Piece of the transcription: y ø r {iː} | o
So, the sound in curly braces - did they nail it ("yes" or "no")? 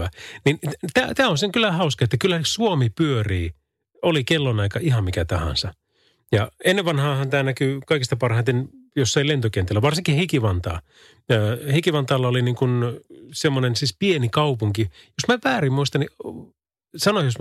yes